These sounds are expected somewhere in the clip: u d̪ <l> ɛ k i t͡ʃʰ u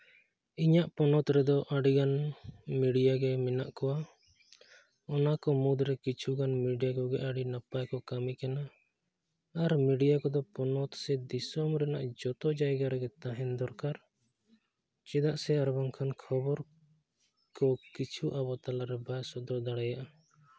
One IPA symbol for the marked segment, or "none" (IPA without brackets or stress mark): ɾ